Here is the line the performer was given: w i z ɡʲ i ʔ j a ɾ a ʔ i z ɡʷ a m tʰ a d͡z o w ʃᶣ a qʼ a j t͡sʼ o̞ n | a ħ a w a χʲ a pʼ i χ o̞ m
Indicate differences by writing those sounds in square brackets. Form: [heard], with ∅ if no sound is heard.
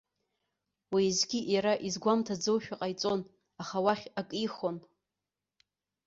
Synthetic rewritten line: w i z ɡʲ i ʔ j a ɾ a ʔ i z ɡʷ a m tʰ a d͡z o w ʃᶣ a qʼ a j t͡sʼ o̞ n | a [χ] a w a χʲ a [kʼ] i χ o̞ [n]